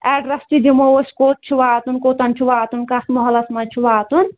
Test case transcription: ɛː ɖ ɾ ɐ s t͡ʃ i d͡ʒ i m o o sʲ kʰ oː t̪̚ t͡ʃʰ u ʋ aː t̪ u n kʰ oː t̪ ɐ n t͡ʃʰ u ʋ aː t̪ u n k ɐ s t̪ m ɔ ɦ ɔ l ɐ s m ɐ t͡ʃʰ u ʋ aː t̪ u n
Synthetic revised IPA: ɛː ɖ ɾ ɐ s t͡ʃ i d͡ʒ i m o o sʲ k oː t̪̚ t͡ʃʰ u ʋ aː t̪ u n k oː t̪ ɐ n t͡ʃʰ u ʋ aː t̪ u n k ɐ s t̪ m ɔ ɦ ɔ l ɐ s m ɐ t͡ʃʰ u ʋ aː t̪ u n